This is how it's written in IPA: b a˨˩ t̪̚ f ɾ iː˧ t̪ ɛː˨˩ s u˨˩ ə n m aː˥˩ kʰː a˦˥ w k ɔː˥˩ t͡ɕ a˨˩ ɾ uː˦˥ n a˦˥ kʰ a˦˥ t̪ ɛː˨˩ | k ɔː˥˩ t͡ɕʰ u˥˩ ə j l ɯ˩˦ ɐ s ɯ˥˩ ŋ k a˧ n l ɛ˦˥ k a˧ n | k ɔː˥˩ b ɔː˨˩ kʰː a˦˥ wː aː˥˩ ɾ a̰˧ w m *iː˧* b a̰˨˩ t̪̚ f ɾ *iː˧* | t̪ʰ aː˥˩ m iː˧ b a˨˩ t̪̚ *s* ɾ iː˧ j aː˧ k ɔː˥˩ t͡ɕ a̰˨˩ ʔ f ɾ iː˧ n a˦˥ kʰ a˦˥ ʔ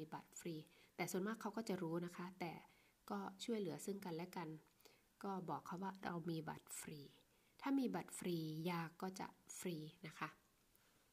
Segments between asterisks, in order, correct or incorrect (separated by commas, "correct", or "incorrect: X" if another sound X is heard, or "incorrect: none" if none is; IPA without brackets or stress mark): correct, correct, incorrect: f